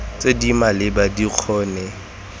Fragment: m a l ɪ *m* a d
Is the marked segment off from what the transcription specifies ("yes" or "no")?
yes